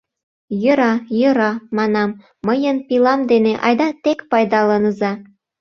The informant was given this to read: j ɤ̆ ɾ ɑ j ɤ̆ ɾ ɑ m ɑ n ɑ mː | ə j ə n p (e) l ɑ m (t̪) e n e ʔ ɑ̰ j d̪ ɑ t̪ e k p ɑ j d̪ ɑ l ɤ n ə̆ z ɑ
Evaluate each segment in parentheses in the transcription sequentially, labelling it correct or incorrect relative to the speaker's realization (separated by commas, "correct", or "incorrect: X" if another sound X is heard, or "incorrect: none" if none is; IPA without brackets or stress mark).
incorrect: i, incorrect: d̪